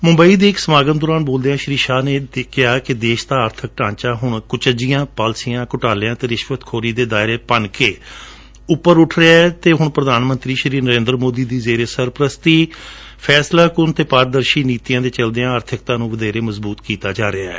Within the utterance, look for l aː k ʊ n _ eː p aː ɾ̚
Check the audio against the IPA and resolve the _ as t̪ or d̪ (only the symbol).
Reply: t̪